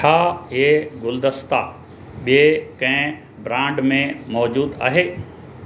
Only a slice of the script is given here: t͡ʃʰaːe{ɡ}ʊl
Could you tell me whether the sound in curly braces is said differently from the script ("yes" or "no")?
no